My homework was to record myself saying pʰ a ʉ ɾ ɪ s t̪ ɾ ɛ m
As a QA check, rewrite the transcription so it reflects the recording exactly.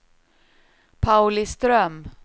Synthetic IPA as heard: pʰ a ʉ l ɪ s t̪ ɾ œ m